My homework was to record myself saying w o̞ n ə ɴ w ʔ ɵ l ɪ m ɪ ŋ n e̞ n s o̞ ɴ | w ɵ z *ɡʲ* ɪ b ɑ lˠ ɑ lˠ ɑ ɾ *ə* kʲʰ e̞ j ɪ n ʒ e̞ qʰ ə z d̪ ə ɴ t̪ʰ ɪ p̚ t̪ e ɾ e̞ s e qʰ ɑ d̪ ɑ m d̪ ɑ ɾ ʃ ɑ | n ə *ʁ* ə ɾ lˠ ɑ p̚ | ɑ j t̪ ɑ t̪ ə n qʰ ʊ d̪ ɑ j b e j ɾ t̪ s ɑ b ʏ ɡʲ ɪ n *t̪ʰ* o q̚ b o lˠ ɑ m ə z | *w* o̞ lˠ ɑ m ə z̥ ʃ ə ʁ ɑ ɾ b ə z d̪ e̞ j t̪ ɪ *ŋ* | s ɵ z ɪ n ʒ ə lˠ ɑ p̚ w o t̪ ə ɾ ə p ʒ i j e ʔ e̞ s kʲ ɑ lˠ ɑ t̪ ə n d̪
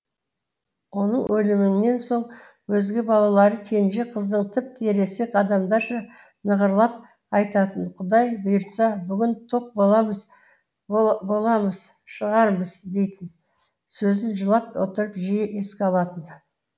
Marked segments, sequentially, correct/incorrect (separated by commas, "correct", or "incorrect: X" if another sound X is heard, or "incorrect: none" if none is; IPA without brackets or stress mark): correct, correct, correct, correct, incorrect: b, incorrect: n